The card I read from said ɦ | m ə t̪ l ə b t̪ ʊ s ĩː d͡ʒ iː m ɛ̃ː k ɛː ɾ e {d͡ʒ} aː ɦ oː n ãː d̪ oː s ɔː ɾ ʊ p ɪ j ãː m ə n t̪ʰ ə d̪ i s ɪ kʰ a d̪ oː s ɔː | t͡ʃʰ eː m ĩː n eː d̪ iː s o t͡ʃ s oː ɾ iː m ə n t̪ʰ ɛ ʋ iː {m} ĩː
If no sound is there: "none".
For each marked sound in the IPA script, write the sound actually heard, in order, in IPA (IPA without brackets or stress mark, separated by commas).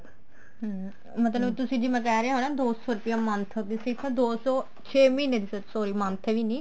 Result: none, n